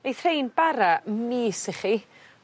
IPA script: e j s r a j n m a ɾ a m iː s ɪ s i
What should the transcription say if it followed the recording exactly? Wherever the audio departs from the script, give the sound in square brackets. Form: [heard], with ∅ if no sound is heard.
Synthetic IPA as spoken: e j [θ] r [e] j n [b] a ɾ a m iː s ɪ [χ] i